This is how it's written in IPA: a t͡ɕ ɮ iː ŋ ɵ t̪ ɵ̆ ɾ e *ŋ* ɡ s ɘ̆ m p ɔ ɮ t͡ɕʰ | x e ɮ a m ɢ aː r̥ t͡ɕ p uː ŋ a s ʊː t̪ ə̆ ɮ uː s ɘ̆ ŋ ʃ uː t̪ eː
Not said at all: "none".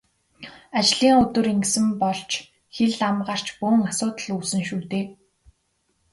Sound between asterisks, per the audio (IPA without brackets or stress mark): ŋ